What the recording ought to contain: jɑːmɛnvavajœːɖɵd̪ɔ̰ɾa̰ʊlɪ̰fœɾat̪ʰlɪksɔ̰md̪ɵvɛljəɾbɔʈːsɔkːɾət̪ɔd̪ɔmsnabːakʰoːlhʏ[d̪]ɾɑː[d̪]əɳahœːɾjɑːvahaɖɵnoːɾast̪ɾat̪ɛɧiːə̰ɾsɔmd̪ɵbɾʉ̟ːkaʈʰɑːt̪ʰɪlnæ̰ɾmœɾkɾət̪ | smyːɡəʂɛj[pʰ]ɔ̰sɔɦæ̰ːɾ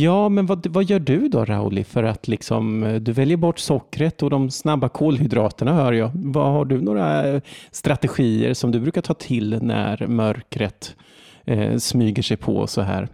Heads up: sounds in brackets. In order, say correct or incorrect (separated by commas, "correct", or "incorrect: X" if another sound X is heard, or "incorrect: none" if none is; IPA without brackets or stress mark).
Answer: correct, incorrect: t̪, correct